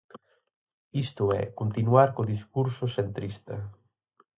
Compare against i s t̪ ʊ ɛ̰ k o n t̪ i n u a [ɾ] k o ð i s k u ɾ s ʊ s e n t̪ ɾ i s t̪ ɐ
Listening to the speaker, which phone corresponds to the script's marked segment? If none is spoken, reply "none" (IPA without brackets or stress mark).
ɾ